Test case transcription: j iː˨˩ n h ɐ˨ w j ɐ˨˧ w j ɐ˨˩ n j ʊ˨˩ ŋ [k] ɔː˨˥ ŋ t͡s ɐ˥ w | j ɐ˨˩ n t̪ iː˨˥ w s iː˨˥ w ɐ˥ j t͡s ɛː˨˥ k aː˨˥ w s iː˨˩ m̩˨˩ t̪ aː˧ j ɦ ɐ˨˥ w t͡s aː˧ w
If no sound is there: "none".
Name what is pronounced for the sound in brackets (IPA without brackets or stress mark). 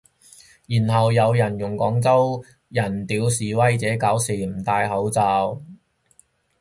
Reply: k